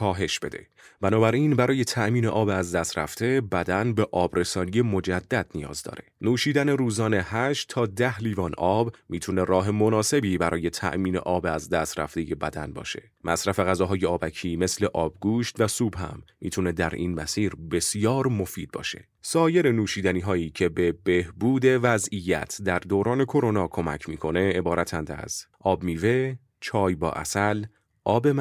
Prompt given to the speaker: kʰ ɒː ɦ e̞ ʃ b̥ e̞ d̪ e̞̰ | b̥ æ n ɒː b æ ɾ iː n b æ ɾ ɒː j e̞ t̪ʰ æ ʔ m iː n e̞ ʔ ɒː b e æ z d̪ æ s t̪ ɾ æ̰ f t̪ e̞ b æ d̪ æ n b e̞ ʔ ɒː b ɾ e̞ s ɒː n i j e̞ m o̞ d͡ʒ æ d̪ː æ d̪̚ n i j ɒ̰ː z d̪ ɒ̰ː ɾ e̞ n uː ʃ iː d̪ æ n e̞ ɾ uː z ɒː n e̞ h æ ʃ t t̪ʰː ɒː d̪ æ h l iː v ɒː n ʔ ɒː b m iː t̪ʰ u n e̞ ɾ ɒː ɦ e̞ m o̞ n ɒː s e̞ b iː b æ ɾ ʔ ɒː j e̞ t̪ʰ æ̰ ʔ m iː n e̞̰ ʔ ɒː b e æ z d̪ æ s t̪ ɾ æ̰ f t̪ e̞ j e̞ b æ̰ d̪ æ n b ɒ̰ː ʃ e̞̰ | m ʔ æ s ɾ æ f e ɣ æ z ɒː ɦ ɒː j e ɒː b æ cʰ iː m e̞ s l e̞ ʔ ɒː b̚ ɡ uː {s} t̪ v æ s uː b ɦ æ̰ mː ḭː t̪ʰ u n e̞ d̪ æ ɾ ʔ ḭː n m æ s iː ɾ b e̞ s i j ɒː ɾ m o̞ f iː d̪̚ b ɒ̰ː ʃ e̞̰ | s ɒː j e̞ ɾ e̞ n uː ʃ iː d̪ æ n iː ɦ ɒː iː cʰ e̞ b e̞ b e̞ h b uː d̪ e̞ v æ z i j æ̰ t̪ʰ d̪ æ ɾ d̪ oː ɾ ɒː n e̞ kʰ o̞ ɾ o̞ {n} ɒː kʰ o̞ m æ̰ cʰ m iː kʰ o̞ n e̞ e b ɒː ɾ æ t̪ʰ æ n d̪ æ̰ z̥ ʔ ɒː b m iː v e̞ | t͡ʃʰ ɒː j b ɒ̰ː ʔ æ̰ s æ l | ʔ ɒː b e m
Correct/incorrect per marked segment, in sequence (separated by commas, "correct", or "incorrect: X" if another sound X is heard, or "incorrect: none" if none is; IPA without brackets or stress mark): incorrect: ʃ, correct